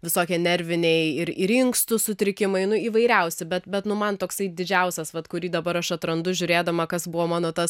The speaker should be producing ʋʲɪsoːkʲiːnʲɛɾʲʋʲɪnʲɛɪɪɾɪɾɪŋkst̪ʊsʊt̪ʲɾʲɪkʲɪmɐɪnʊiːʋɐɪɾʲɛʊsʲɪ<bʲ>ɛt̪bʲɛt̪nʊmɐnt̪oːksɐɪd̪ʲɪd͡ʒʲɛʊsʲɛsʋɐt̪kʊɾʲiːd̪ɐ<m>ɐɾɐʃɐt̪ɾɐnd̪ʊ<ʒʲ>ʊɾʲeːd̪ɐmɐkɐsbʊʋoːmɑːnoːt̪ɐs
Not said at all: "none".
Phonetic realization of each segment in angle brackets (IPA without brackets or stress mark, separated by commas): bʲ, b, ʒʲ